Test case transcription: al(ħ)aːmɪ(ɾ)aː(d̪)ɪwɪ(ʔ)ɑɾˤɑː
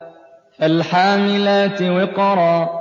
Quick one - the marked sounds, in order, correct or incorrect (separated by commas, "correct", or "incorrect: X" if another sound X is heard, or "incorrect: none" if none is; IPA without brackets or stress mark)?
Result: correct, incorrect: l, incorrect: t̪, incorrect: q